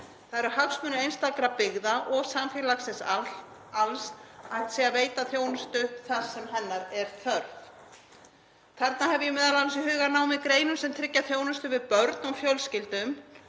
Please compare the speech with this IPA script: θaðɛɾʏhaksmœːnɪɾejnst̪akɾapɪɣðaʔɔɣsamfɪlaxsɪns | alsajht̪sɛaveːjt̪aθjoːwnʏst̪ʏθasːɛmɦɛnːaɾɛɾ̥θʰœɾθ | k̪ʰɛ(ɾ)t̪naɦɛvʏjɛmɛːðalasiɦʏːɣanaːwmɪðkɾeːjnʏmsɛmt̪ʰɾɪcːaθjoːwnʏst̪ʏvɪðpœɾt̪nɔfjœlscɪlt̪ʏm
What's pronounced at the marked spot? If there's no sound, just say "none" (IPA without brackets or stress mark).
ɾ